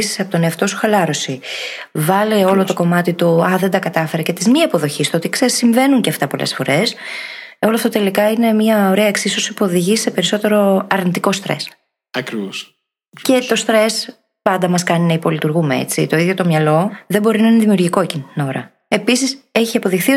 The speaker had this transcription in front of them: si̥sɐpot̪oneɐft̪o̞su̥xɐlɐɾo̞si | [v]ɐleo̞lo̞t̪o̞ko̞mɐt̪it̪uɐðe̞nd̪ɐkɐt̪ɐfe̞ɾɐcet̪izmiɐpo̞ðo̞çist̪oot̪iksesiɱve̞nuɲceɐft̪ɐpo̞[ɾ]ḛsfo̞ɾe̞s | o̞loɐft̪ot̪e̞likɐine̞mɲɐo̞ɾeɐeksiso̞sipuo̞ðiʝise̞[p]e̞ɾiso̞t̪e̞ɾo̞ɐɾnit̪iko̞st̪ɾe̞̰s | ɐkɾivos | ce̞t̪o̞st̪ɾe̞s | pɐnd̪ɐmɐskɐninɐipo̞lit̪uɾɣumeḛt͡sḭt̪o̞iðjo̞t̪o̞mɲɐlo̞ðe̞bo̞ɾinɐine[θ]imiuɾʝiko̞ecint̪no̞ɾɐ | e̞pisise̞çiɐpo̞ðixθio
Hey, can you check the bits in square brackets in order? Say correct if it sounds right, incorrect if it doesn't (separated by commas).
correct, incorrect, correct, incorrect